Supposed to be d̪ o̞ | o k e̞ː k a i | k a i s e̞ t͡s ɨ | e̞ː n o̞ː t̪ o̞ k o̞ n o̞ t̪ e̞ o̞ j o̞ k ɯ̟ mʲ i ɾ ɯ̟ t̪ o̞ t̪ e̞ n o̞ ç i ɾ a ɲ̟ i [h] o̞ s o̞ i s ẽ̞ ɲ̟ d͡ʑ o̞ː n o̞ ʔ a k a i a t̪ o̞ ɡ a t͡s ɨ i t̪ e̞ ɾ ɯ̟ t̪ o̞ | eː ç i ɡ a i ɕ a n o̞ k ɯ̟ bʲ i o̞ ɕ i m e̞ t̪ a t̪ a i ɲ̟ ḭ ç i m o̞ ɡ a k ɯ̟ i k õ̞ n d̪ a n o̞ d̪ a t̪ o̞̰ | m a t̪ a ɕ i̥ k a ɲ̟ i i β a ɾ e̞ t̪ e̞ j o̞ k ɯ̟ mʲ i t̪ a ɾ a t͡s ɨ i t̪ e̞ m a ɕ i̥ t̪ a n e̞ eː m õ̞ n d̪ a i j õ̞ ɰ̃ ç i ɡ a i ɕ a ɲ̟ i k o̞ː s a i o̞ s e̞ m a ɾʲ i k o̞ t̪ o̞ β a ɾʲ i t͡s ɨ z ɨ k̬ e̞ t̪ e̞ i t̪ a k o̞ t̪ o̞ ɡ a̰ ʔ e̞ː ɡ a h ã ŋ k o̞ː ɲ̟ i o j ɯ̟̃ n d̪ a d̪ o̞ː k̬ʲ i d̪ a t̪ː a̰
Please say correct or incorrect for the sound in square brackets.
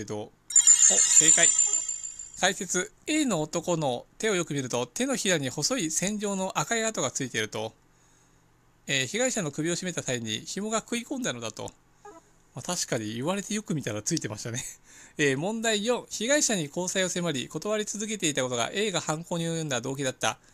correct